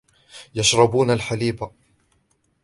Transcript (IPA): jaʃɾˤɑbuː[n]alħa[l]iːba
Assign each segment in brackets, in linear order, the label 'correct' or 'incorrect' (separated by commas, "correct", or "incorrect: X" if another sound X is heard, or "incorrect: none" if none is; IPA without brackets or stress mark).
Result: correct, correct